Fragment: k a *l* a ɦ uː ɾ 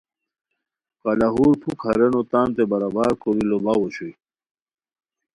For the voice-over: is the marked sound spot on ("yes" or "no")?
yes